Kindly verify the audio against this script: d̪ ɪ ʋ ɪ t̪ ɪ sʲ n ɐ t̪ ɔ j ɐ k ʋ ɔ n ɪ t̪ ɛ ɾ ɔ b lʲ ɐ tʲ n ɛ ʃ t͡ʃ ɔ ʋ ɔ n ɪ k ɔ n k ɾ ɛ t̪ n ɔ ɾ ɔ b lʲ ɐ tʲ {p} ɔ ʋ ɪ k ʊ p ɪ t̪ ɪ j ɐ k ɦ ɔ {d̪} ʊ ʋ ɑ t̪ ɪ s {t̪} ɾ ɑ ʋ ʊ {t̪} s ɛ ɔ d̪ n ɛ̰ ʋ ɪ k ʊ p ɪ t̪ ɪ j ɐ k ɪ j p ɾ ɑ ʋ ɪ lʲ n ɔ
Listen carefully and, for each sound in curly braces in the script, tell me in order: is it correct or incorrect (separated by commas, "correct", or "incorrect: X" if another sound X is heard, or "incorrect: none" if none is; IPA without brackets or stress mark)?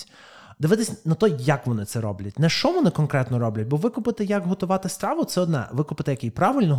incorrect: b, incorrect: t̪, correct, correct